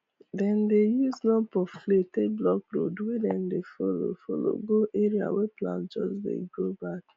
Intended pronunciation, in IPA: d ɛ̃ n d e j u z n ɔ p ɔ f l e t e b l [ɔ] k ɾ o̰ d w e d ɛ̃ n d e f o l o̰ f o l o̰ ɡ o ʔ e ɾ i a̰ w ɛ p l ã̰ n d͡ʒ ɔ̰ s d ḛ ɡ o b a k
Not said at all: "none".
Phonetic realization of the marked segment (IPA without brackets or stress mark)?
ɔ